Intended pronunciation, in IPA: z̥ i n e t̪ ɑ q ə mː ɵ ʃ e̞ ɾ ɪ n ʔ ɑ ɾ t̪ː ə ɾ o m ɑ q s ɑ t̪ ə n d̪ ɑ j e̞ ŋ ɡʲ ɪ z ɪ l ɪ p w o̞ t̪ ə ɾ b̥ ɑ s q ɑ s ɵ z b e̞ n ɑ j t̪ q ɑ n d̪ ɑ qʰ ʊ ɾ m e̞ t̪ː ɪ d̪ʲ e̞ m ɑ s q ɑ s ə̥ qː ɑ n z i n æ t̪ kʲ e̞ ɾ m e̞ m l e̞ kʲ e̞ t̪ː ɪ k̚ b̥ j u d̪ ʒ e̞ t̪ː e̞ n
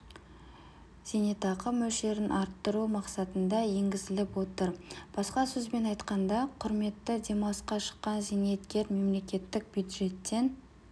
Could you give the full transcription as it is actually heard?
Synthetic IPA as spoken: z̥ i n e t̪ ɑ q ə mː ɵ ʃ e̞ ɾ ɪ n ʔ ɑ ɾ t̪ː ə ɾ u m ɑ q s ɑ t̪ ə n d̪ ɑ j e̞ ŋ ɡʲ ɪ z ɪ l ɪ p w o̞ t̪ ə ɾ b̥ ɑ s q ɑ s ɵ z b e̞ n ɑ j t̪ q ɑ n d̪ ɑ qʰ ʊ ɾ m e̞ t̪ː ɪ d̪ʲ e̞ m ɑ s q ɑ ʃ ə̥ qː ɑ n z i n e t̪ kʲ e̞ ɾ m e̞ m l e̞ kʲ e̞ t̪ː ɪ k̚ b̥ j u d̪ ʒ e̞ t̪ː e̞ n

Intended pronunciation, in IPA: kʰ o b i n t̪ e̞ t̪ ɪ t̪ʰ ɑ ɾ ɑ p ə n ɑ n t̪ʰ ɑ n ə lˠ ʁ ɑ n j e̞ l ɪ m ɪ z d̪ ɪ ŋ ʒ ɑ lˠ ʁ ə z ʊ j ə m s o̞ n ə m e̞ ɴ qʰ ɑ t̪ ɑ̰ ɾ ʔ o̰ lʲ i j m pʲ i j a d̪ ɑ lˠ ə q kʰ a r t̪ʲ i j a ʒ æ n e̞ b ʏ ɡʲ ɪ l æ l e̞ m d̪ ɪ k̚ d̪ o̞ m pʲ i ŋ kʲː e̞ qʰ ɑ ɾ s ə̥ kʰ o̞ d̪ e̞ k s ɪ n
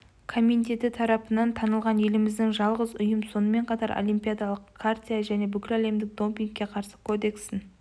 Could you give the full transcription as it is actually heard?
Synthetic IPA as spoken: kʰ o m i n t̪ e̞ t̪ ɪ t̪ʰ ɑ ɾ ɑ p ə n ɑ n t̪ʰ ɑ n ə lˠ ʁ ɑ n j e̞ l ɪ m ɪ z d̪ ɪ ŋ ʒ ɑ lˠ ʁ ə z ʊ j ə m s o̞ n ə m e̞ ɴ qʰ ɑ t̪ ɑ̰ ɾ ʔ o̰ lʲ i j m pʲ i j a d̪ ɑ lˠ ə q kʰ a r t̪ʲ i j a ʒ æ n e̞ b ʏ kʲ ɪ l æ l e̞ m d̪ ɪ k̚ d̪ o̞ m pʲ i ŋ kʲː e̞ qʰ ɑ ɾ s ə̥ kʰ o̞ d̪ e̞ k s ɪ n

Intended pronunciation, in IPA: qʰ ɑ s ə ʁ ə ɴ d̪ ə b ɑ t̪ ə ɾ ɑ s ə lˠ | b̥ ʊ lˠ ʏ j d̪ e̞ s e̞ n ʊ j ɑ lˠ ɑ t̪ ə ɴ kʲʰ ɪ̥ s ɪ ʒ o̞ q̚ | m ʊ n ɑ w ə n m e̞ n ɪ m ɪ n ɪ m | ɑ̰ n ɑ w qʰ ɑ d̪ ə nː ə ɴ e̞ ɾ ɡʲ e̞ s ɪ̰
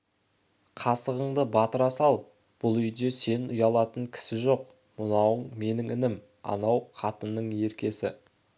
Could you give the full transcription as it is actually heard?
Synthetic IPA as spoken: qʰ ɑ s ə ʁ ə ɴ d̪ ə b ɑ t̪ ə ɾ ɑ s ɑ lˠ | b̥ ʊ lˠ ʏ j d̪ e̞ s e̞ n ʊ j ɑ lˠ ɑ t̪ ə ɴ kʲʰ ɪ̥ s ɪ ʒ o̞ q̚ | m ʊ n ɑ w ə ɴ m e̞ n ɪ ŋ ɪ n ɪ m | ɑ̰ n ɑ w qʰ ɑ t̪ ə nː ə ɴ e̞ ɾ kʲ e̞ s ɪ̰

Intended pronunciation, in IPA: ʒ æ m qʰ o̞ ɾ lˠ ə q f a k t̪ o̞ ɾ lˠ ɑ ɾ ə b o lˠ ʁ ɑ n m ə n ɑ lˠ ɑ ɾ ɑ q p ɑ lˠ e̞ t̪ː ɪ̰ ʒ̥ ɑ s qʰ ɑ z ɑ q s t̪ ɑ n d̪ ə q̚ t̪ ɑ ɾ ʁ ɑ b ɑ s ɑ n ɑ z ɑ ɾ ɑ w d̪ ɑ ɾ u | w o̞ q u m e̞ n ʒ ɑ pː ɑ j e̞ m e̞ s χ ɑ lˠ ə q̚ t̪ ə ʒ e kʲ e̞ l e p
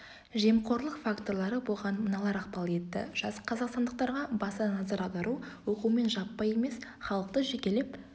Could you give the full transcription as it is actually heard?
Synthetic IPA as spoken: ʒ e m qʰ o̞ ɾ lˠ ə q f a k t̪ o̞ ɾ lˠ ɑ ɾ ə b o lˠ ʁ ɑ n m ə n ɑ lˠ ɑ ɾ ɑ q p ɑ lˠ e̞ t̪ː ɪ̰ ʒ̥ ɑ s qʰ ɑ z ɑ q s t̪ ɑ n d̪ ə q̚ t̪ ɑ ɾ ʁ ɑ b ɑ s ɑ n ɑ z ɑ ɾ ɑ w d̪ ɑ ɾ u | w o̞ q u m e̞ n ʒ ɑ pː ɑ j e̞ m e̞ s χ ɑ lˠ ə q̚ t̪ ə ʒ e kʲ e̞ l e p

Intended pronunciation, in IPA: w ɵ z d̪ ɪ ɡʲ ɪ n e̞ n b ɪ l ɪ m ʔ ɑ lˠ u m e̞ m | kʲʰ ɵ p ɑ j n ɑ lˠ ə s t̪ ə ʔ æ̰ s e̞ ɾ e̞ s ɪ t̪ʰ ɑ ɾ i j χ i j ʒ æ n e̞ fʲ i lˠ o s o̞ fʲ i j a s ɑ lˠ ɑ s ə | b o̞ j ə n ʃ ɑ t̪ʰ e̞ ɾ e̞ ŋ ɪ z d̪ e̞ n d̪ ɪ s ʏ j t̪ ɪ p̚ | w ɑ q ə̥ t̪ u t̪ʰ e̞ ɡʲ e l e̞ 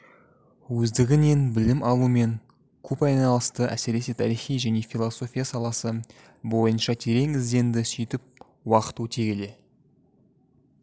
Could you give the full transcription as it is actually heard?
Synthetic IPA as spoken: w ɵ z d̪ ɪ ɡʲ ɪ n e̞ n b ɪ l ɪ m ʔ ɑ lˠ u m e̞ ŋ | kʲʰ ɵ p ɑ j n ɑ lˠ ə s t̪ ə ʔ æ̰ s e̞ ɾ e̞ s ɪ t̪ʰ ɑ ɾ i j χ i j ʒ æ n e̞ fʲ i lˠ o s o̞ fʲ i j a s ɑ lˠ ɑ s ə | b o̞ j ə n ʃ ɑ t̪ʰ e̞ ɾ e̞ ŋ ɪ z d̪ e̞ n d̪ ɪ s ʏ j t̪ ɪ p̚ | w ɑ q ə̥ t̪ u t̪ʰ e̞ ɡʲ e l e̞

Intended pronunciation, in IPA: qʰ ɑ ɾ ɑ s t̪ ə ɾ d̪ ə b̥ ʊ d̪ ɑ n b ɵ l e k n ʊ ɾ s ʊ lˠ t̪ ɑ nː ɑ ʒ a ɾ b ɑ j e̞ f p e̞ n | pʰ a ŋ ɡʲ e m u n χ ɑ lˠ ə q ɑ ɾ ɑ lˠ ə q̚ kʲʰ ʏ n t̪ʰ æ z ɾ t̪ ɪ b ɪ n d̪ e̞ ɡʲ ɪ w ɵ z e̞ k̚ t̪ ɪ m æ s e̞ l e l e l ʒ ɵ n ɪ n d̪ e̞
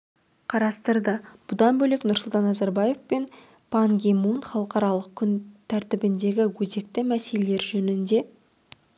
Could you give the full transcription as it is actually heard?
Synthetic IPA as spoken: qʰ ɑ ɾ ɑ s t̪ ə ɾ d̪ ə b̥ ʊ d̪ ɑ n b ɵ l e k n ʊ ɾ s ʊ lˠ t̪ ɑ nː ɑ z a ɾ b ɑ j e̞ f p e̞ n | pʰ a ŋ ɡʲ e m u n χ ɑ lˠ ə q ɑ ɾ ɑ lˠ ə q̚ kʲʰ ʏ n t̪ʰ æ ɾ t̪ ɪ b ɪ n d̪ e̞ ɡʲ ɪ w ɵ z e̞ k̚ t̪ ɪ m æ s e̞ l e l e ɾ ʒ ɵ n ɪ n d̪ e̞

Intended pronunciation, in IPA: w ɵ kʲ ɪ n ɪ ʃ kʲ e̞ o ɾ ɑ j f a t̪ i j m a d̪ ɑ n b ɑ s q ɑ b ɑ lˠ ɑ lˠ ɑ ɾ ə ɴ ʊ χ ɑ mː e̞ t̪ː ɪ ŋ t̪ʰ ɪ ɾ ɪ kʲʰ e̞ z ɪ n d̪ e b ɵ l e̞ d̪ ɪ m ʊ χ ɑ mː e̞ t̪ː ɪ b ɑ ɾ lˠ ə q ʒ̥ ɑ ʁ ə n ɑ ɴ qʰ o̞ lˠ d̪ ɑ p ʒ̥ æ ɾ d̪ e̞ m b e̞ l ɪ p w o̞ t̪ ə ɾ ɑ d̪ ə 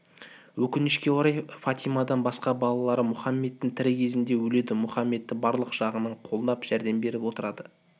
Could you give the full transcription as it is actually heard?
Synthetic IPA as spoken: w ɵ kʲ ɪ n ɪ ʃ kʲ e̞ o ɾ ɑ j f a t̪ i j m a d̪ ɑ n b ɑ s q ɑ b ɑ lˠ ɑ lˠ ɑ ɾ ə m ʊ χ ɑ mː e̞ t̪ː ɪ ŋ t̪ʰ ɪ ɾ ɪ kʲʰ e̞ z ɪ n d̪ e w ɵ l e̞ d̪ ɪ m ʊ χ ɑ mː e̞ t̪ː ɪ b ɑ ɾ lˠ ə q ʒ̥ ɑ ʁ ə n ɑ ɴ qʰ o̞ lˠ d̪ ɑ p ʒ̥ æ ɾ d̪ e̞ m b e̞ ɾ ɪ p w o̞ t̪ ə ɾ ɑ d̪ ə

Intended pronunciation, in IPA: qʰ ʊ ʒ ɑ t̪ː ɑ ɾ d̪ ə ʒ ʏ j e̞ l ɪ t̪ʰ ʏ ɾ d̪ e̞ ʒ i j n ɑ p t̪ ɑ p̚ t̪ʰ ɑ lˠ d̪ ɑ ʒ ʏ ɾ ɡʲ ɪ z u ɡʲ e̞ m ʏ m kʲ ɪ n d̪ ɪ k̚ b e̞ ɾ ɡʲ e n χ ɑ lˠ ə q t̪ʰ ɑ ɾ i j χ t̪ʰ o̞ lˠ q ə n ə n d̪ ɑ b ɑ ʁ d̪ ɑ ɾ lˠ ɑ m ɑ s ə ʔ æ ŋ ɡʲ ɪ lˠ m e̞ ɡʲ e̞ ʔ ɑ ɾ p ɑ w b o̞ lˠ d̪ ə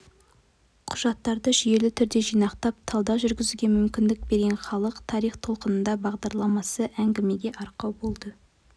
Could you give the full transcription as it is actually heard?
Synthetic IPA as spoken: qʰ ʊ ʒ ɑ t̪ː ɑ ɾ d̪ ə ʒ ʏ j e̞ l ɪ t̪ʰ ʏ ɾ d̪ e̞ ʒ i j n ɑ q t̪ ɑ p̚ t̪ʰ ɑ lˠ d̪ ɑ ʒ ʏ ɾ ɡʲ ɪ z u ɡʲ e̞ m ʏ m kʲ ɪ n d̪ ɪ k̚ b e̞ ɾ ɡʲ e n χ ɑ lˠ ə q t̪ʰ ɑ ɾ i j χ t̪ʰ o̞ lˠ q ə n ə n d̪ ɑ b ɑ ʁ d̪ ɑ ɾ lˠ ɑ m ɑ s ə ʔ æ ŋ ɡʲ ɪ m e̞ ɡʲ e̞ ʔ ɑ ɾ q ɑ w b o̞ lˠ d̪ ə

